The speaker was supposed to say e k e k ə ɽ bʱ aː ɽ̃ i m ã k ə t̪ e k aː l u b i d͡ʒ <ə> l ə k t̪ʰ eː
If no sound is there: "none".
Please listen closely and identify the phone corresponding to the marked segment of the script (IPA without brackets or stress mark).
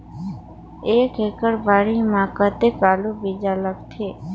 a